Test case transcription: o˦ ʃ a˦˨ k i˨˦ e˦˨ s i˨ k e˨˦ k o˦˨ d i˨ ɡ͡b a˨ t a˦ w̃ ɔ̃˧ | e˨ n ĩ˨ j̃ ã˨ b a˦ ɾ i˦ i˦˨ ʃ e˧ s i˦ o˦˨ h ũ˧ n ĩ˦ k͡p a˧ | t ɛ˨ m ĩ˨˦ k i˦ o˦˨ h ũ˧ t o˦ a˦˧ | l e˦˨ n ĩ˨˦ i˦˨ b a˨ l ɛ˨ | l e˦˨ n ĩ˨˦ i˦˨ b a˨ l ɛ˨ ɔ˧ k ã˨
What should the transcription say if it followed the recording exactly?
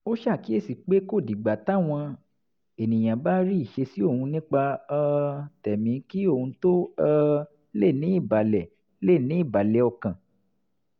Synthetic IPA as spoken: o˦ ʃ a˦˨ k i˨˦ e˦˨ s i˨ k͡p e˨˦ k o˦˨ d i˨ ɡ͡b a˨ t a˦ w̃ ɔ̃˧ | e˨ n ĩ˨ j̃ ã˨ b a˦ ɾ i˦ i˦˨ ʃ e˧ s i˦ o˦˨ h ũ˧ n ĩ˦ k͡p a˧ | t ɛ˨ m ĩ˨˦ k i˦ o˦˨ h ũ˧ t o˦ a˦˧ | l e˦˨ n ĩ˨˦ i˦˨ b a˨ l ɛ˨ | l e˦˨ n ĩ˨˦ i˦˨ b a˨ l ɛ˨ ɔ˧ k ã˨